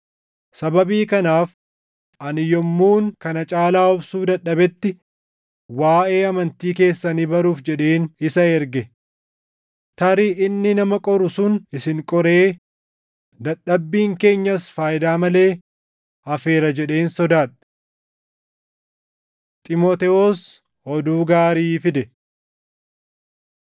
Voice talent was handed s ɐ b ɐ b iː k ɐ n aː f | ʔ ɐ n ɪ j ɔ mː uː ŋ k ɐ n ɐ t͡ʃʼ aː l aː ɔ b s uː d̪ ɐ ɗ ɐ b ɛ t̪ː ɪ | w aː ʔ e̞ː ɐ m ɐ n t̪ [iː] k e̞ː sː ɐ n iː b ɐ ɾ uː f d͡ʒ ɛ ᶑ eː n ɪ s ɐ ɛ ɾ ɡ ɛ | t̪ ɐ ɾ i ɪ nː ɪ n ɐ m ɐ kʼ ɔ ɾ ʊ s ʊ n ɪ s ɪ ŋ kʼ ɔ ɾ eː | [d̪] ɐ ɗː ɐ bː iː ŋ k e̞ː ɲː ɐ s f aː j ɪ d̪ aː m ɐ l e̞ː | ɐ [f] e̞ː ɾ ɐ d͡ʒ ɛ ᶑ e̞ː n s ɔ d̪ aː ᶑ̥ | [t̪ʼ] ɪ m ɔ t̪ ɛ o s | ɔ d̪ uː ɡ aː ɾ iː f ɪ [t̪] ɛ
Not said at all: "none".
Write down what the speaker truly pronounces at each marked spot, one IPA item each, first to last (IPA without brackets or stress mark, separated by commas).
iː, d̪, f, t̪ʼ, d̪